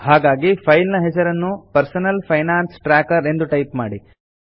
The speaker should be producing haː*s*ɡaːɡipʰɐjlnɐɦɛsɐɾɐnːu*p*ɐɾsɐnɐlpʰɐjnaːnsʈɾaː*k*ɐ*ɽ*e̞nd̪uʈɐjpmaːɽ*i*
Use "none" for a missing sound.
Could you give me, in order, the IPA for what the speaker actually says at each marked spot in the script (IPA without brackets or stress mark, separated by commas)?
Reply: none, p, k, ɾ, i